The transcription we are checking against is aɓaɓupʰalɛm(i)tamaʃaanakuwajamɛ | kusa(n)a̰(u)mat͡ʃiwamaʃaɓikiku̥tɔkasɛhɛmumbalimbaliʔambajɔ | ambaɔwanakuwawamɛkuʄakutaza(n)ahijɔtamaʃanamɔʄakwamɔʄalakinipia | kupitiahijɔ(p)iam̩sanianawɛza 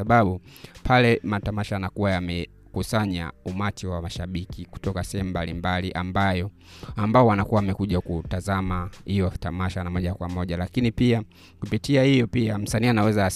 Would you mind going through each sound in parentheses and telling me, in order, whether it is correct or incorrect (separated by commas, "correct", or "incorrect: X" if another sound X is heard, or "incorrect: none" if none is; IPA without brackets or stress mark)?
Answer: incorrect: a, incorrect: ɲ, correct, incorrect: m, correct